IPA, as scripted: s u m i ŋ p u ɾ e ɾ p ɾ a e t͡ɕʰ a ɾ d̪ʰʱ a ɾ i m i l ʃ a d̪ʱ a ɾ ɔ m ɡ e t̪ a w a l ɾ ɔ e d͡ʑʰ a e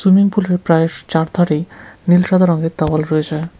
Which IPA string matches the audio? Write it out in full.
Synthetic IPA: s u m i ŋ p u l e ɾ p ɾ a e t͡ɕ a ɾ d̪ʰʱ a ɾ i n i l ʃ a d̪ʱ a ɾ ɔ ŋ ɡ e t̪ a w a l ɾ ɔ e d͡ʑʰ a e